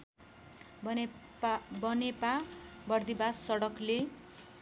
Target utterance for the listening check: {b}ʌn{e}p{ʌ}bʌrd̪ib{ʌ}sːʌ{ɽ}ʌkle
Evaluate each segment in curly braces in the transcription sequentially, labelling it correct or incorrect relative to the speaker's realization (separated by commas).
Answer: correct, correct, incorrect, incorrect, correct